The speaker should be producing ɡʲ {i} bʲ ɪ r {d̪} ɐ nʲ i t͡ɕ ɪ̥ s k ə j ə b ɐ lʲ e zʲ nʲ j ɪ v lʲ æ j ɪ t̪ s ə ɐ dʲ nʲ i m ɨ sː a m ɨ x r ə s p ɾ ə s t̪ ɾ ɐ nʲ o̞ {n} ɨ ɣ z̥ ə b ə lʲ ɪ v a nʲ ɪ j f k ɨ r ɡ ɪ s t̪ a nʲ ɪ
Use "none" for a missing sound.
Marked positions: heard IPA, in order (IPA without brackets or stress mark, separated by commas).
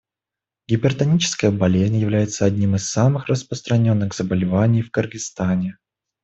ɪ, t̪, nː